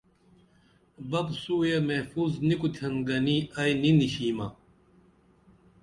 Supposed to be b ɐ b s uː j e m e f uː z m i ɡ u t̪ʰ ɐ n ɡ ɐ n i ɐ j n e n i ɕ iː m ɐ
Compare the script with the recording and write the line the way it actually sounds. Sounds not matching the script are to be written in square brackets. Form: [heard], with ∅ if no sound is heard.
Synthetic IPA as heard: b ɐ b s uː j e m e f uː z [n] i [k] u t̪ʰ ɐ n ɡ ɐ n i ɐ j n [i] n i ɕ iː m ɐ

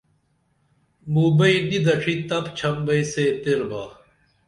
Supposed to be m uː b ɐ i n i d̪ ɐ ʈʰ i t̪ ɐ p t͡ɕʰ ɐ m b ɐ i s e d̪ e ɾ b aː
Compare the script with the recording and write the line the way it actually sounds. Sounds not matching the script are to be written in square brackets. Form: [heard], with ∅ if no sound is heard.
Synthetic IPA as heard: m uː b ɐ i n i d̪ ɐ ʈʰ i t̪ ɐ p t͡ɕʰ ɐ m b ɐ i s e [t̪] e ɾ b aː

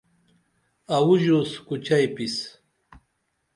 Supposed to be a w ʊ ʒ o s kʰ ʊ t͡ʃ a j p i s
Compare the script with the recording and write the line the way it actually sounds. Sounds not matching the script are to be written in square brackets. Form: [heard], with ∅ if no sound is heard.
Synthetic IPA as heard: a w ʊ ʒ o s [k] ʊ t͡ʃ a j p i s

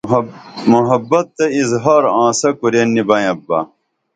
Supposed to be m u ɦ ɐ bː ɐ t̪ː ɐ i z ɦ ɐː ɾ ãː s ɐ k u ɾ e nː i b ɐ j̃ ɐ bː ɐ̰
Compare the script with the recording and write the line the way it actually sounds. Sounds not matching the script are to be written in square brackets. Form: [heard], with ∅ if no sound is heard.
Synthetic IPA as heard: m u ɦ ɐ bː ɐ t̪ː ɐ i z ɦ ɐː ɾ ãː s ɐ k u ɾ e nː i b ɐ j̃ ɐ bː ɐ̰

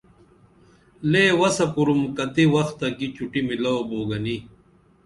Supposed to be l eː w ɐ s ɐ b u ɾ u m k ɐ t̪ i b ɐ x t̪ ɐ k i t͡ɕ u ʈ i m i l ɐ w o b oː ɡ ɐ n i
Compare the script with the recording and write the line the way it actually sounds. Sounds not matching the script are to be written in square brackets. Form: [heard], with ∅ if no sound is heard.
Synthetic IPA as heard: l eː w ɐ s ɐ [p] u ɾ u m k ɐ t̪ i [w] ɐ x t̪ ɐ k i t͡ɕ u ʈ i m i l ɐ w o b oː ɡ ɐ n i

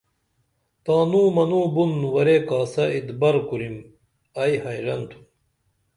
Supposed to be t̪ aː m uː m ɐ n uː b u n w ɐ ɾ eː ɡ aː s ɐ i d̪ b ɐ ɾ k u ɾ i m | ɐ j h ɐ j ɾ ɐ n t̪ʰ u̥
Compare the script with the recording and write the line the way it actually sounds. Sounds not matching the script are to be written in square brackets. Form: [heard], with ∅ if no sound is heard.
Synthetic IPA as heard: t̪ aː [n] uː m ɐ n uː b u n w ɐ ɾ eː [k] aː s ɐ i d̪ b ɐ ɾ k u ɾ i m | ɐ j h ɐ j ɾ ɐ n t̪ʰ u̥

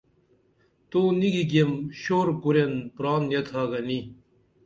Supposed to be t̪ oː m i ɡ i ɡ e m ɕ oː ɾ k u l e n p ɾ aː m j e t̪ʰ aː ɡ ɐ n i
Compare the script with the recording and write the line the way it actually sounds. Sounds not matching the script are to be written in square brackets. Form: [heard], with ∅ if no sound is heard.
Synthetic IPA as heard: t̪ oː [n] i ɡ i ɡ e m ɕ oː ɾ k u [ɾ] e n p ɾ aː [n] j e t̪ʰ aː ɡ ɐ n i

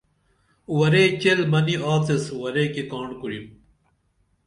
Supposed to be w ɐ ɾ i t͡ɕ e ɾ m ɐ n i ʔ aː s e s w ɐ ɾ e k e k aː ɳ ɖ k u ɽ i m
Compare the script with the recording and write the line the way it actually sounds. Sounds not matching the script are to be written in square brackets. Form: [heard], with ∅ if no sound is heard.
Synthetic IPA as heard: w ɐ ɾ [e] t͡ɕ e [l] m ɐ n i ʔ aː [t͡s] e s w ɐ ɾ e k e k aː ɳ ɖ k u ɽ i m

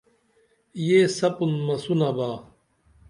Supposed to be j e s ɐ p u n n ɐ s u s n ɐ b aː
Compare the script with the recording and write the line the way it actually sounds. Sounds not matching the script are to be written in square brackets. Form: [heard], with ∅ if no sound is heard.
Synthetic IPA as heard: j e s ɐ p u n [m] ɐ s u [∅] n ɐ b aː

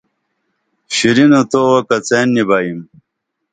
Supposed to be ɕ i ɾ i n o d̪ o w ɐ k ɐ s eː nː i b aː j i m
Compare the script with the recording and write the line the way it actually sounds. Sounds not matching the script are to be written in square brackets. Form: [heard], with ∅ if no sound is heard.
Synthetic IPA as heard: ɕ i ɾ i n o [t̪] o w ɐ k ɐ [t͡s] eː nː i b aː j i m

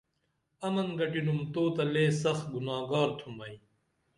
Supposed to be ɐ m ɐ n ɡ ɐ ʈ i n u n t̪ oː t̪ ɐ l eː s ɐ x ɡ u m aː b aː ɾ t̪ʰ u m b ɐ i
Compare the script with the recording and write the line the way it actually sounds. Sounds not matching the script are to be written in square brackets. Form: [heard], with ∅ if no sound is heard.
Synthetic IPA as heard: ɐ m ɐ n ɡ ɐ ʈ i n u [m] t̪ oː t̪ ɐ l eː s ɐ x ɡ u [n] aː [ɡ] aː ɾ t̪ʰ u m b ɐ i

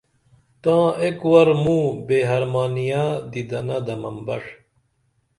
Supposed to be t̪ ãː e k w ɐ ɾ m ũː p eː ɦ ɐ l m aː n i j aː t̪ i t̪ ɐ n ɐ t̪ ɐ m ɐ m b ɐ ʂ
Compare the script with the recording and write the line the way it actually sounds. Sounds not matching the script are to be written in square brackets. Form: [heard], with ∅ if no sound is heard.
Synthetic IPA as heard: t̪ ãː e k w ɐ ɾ m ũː [b] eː ɦ ɐ [ɾ] m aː n i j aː [d̪] i [d̪] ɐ n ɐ [d̪] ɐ m ɐ m b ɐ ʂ

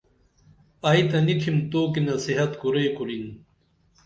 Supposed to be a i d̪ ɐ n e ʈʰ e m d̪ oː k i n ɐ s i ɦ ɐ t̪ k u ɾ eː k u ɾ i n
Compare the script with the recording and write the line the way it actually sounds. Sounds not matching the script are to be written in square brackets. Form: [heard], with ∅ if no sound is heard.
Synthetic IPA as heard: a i [t̪] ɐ n [i] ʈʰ [i] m [t̪] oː k i n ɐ s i ɦ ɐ t̪ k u ɾ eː k u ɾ i n

